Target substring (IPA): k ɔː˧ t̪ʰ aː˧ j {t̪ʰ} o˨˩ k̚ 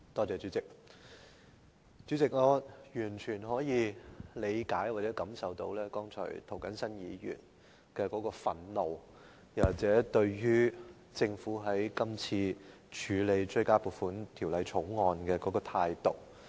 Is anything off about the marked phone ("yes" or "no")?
yes